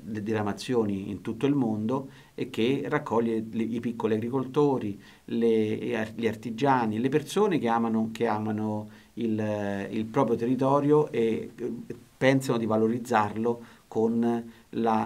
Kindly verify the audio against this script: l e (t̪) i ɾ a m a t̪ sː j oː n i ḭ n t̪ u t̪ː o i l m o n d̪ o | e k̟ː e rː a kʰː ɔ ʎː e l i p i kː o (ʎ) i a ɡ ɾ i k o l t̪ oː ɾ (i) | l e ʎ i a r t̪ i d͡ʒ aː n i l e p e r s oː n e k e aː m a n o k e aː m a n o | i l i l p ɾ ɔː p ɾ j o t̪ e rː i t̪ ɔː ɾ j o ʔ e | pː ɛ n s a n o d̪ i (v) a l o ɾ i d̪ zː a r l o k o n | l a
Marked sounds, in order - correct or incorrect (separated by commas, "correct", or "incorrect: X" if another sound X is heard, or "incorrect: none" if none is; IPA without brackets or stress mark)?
incorrect: d̪, incorrect: l, correct, correct